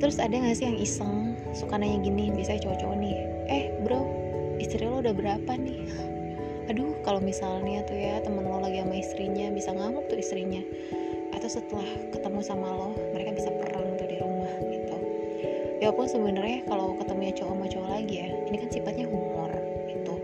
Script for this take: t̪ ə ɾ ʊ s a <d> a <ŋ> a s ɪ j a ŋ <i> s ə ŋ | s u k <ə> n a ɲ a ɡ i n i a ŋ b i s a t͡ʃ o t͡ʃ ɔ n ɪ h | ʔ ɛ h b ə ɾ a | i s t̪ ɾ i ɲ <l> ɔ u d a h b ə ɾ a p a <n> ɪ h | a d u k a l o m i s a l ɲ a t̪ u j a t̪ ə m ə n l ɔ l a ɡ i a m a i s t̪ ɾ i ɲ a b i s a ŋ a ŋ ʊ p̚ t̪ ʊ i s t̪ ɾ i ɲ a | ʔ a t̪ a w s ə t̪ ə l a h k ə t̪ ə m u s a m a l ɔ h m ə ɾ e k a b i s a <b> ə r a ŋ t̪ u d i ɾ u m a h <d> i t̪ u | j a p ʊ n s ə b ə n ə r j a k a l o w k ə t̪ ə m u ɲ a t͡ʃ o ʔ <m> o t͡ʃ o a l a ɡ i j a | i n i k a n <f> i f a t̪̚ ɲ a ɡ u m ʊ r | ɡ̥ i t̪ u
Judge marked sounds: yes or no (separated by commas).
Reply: yes, yes, yes, no, yes, yes, no, no, yes, no